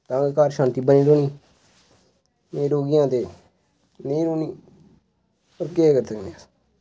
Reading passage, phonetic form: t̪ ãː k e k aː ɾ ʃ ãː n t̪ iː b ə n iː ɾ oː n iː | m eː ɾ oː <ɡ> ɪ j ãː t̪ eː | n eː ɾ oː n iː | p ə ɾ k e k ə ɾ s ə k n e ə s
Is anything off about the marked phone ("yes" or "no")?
no